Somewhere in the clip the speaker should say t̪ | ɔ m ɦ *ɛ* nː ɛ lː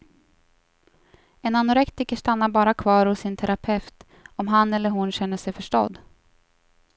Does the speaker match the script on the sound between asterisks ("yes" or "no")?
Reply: no